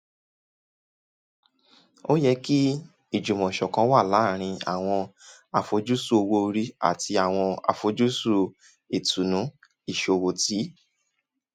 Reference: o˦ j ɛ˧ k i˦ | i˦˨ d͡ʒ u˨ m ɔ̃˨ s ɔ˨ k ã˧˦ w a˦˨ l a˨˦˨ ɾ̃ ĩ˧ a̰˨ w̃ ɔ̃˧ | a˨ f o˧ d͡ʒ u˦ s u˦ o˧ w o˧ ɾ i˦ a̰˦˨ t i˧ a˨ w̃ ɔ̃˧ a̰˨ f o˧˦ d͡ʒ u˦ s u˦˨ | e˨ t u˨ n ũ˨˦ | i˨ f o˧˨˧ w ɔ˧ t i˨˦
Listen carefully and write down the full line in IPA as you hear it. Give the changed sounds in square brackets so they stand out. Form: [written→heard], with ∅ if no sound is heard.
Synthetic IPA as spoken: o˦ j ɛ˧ k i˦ | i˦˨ d͡ʒ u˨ m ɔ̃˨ [s→ʃ] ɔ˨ k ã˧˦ w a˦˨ l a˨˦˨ ɾ̃ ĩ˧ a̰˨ w̃ ɔ̃˧ | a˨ f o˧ d͡ʒ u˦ s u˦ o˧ w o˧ ɾ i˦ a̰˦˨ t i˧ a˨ w̃ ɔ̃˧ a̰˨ f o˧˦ d͡ʒ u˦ s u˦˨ | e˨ t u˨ n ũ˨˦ | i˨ [f→ʃ] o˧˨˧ w [ɔ˧→o˧] t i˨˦

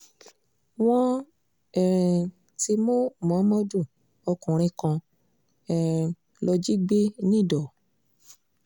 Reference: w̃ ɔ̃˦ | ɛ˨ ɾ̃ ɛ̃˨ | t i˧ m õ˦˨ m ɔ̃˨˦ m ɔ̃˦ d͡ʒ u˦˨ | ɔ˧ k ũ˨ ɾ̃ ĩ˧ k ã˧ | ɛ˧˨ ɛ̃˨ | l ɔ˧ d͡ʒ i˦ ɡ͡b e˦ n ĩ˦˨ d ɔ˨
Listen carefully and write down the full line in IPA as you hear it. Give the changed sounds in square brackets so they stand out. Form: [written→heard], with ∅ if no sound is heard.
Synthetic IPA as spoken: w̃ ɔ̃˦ | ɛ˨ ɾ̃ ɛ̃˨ | t i˧ m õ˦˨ m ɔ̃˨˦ m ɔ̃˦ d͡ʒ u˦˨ | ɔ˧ k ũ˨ ɾ̃ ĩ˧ k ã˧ | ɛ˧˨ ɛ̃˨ | l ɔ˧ d͡ʒ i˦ ɡ͡b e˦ n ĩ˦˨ d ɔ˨

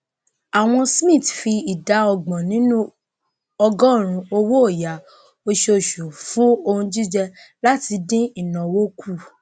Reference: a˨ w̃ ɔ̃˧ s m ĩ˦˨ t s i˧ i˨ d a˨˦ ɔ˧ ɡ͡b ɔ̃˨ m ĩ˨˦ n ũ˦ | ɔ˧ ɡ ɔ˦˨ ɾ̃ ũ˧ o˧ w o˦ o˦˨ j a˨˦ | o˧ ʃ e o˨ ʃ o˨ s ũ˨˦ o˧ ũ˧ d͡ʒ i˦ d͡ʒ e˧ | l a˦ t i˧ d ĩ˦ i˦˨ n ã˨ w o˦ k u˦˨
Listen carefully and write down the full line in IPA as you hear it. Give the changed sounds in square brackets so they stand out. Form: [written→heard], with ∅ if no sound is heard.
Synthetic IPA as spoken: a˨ w̃ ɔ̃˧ s m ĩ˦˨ t [s→f] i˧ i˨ d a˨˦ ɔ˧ ɡ͡b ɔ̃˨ [m→n] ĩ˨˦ n ũ˦ | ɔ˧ ɡ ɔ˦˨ ɾ̃ ũ˧ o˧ w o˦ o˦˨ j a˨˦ | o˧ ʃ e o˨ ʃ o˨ [s→f] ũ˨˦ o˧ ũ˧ d͡ʒ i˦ d͡ʒ [e˧→ɛ˧] | l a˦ t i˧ d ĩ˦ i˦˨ n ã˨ w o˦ k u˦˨

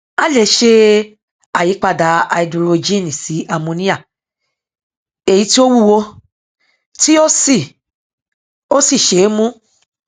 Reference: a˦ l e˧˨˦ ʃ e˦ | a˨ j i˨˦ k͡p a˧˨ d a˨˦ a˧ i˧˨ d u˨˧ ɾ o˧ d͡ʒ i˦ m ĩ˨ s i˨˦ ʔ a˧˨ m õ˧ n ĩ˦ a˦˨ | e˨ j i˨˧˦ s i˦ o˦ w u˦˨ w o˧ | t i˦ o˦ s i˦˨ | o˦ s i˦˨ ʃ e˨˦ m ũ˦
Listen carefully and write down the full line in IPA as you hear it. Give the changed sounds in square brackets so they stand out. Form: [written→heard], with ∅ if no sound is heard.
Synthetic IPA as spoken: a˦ l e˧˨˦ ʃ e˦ | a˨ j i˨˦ k͡p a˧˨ d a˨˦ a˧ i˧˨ d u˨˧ ɾ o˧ d͡ʒ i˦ [m→n] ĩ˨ s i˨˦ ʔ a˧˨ m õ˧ n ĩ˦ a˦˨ | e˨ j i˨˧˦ [s→t] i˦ o˦ w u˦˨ w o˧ | t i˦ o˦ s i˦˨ | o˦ s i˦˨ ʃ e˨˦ m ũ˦

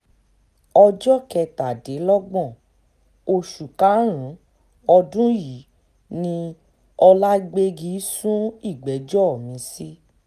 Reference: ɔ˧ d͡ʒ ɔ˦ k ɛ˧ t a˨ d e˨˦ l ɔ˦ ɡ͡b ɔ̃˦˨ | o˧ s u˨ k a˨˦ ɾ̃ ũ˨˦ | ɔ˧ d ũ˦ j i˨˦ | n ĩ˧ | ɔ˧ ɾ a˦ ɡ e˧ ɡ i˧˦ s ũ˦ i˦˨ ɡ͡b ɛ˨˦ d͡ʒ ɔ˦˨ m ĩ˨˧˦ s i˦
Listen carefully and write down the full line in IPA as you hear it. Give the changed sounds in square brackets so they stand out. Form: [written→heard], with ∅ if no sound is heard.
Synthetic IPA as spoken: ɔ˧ d͡ʒ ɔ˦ k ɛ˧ t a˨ d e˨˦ l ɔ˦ ɡ͡b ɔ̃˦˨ | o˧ [s→ʃ] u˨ k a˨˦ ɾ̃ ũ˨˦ | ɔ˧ d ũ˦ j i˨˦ | n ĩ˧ | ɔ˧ [ɾ→l] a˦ [ɡ→ɡ͡b] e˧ ɡ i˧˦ s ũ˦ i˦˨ ɡ͡b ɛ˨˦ d͡ʒ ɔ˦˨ m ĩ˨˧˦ s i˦

